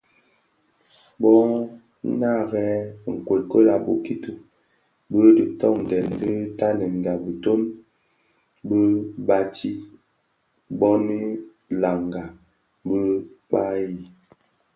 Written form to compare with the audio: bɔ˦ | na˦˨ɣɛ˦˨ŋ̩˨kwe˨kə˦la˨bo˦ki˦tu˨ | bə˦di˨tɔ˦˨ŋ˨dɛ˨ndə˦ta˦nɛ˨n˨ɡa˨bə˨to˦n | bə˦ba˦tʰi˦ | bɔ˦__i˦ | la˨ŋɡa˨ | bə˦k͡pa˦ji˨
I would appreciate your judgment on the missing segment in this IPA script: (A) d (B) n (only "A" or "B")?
B